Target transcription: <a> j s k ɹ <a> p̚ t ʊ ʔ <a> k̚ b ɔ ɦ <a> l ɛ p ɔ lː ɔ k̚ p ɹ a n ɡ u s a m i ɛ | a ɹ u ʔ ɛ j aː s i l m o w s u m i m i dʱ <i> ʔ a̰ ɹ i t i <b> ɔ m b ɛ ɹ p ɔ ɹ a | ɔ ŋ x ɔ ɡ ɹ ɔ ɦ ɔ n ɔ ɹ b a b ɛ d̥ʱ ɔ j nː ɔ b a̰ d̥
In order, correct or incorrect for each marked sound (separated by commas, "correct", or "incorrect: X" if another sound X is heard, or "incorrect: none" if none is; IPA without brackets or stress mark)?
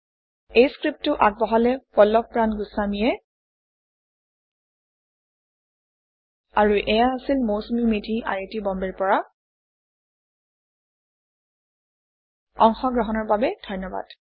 incorrect: e, incorrect: i, correct, correct, correct, correct